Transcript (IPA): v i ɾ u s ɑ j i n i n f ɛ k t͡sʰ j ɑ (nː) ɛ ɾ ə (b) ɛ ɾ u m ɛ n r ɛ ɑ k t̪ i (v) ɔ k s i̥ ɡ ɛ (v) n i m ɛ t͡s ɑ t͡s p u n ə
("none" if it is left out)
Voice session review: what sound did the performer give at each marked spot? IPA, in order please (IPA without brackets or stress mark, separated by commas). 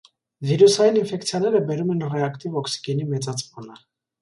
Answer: n, b, v, none